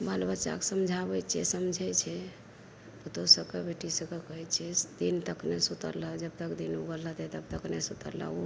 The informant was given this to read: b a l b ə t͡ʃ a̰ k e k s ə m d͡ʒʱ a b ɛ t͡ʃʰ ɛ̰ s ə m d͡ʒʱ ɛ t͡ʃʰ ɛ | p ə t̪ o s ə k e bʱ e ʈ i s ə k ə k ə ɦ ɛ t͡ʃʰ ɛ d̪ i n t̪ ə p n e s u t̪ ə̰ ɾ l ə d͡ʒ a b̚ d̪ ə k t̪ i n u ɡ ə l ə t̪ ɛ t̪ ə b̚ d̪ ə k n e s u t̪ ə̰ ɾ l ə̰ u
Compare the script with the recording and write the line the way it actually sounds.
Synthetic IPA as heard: b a l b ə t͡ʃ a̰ k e s ə m d͡ʒʱ a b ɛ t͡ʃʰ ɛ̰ s ə m d͡ʒʱ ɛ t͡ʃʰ ɛ | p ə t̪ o s ə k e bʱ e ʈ i s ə k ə k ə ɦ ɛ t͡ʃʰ ɛ d̪ i n t̪ ə k n e s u t̪ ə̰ ɾ l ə d͡ʒ ə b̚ t̪ ə k d̪ i n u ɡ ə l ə t̪ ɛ t̪ ə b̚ t̪ ə k n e s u t̪ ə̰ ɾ l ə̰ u